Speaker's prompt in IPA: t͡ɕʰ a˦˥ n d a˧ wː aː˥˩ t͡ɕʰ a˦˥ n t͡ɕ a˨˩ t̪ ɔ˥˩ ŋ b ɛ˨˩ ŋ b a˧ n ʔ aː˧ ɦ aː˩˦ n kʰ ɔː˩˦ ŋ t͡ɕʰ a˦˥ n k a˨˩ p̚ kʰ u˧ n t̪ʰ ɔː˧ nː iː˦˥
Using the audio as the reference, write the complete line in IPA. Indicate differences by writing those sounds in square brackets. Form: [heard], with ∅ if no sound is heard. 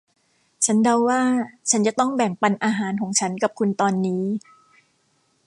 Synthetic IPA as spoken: t͡ɕʰ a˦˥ n d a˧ wː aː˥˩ t͡ɕʰ a˦˥ n t͡ɕ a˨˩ t̪ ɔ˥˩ ŋ b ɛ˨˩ ŋ [p] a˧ n ʔ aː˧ ɦ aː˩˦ n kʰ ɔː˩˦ ŋ t͡ɕʰ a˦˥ n k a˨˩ p̚ kʰ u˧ n [t̪] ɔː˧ nː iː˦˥